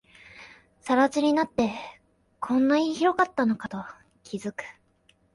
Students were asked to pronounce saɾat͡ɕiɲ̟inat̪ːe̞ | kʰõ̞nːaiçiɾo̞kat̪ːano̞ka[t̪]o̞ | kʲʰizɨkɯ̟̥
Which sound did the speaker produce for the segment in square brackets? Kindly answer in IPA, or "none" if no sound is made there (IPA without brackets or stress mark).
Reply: t̪